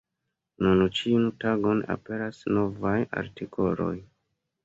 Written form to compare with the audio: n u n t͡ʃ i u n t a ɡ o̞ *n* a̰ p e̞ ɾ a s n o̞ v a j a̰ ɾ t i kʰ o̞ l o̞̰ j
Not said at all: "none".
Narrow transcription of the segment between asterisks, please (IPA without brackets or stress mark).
n